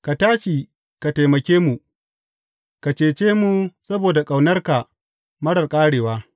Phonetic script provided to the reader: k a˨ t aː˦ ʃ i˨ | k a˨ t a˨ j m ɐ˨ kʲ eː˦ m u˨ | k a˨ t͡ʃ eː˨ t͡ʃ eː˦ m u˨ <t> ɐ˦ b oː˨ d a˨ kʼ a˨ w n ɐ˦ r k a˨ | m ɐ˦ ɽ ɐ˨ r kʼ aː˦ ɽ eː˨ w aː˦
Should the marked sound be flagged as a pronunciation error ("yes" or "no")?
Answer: yes